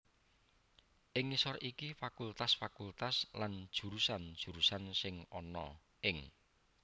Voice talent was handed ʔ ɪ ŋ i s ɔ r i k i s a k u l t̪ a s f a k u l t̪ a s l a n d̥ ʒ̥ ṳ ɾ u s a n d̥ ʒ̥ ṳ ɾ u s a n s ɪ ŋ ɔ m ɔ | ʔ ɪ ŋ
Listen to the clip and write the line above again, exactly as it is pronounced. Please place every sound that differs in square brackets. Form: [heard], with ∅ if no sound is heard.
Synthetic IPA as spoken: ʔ ɪ ŋ i s ɔ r i k i [f] a k u l t̪ a s f a k u l t̪ a s l a n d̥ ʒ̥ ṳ ɾ u s a n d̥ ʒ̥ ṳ ɾ u s a n s ɪ ŋ ɔ [n] ɔ | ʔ ɪ ŋ